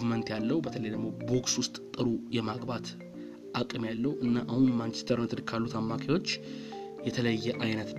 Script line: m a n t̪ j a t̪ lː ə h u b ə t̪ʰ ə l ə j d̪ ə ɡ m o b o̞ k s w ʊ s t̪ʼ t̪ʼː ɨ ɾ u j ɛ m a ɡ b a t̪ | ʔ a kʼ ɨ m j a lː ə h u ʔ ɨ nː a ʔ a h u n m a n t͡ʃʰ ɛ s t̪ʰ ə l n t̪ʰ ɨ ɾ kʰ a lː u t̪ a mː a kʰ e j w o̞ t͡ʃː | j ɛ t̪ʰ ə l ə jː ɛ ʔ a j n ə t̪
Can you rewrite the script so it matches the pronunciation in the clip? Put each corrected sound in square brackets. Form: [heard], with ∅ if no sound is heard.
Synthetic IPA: m [ə] n t̪ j a [∅] lː ə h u b ə t̪ʰ ə l ə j d̪ ə ɡ m o b o̞ k s w ʊ s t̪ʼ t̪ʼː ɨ ɾ u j ɛ m a ɡ b a t̪ | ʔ a kʼ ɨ m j a lː ə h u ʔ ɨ nː a ʔ a h u n m a n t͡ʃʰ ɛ s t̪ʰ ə [ɾ] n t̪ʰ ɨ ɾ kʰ a lː u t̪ a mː a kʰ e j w o̞ t͡ʃː | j ɛ t̪ʰ ə l ə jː ɛ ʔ a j n ə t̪